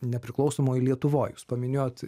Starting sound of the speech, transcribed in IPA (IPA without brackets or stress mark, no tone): nʲ